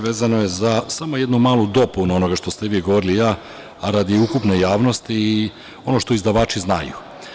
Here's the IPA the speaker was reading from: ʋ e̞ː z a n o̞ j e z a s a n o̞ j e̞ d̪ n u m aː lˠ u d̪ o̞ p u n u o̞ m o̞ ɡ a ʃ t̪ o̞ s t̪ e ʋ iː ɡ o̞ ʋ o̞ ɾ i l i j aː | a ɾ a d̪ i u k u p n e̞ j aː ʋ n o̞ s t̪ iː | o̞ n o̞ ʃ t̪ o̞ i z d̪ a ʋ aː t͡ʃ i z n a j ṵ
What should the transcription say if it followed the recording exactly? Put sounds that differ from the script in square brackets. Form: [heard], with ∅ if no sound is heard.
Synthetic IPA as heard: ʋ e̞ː z a n o̞ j e z a s a [m] o̞ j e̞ d̪ n u m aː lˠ u d̪ o̞ p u n u o̞ [n] o̞ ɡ a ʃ t̪ o̞ s t̪ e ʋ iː ɡ o̞ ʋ o̞ ɾ i l i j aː | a ɾ a d̪ i u k u p n e̞ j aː ʋ n o̞ s t̪ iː | o̞ n o̞ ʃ t̪ o̞ i z d̪ a ʋ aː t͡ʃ i z n a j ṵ